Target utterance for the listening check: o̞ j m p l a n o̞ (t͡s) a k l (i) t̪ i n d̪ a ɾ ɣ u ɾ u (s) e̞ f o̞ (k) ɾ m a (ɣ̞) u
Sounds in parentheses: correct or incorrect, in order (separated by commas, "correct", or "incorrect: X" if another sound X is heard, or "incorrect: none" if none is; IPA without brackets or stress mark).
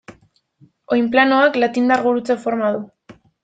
incorrect: none, incorrect: a, incorrect: t͡s, incorrect: none, incorrect: ð̞